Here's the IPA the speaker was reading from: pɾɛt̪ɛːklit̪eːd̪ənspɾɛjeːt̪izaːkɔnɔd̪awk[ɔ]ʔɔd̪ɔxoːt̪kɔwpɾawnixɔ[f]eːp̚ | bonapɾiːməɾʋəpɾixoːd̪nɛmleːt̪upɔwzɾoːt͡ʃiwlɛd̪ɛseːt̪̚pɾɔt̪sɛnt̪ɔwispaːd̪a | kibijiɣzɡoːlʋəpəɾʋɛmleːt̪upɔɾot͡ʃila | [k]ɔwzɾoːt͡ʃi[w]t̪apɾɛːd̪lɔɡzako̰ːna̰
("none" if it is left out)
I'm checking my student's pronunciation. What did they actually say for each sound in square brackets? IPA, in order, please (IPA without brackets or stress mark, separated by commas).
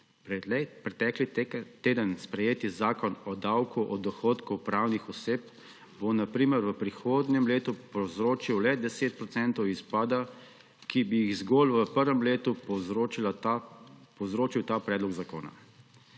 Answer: u, s, p, w